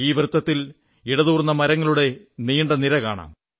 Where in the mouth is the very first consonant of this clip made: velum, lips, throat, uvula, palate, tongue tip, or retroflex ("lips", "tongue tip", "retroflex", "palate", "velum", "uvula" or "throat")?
lips